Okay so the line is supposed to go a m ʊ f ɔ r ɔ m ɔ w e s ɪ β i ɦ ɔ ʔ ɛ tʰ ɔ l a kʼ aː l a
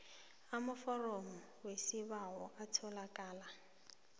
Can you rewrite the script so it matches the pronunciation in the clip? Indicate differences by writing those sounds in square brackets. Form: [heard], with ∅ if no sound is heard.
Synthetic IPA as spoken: a m ʊ f ɔ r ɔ m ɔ w e s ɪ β [a] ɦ ɔ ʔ [a] tʰ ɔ l a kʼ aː l a